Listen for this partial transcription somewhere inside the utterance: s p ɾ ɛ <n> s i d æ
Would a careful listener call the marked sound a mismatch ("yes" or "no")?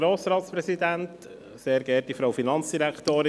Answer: yes